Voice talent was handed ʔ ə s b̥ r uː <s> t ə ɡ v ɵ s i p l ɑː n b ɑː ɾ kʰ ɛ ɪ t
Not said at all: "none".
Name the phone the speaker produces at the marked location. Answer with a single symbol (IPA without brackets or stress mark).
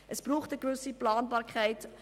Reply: χ